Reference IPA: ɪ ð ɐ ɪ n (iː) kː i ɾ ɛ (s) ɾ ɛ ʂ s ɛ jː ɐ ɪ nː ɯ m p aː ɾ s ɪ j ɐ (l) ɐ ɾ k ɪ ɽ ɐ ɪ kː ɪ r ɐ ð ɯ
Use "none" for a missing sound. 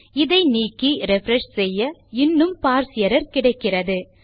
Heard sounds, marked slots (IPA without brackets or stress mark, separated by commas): iː, f, ɾ